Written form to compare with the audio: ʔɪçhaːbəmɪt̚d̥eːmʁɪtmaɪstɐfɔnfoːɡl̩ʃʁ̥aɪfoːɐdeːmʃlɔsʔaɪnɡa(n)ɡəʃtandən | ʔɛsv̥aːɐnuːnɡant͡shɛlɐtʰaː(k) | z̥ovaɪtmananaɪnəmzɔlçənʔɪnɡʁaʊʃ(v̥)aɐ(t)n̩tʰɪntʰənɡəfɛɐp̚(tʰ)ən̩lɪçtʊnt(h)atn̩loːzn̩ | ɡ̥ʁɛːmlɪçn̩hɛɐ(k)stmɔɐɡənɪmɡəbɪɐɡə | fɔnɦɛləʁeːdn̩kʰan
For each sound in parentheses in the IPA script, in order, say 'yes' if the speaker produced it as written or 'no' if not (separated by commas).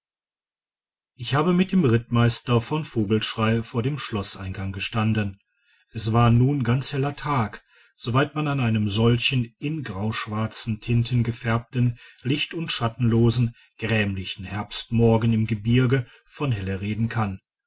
no, yes, yes, no, no, no, no